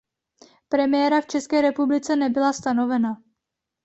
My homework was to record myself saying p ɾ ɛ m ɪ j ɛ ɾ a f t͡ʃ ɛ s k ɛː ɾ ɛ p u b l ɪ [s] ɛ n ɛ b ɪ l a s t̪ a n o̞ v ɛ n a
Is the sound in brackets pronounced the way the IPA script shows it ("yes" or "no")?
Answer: no